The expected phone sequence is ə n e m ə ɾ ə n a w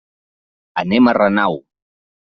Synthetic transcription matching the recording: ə n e m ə r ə n a w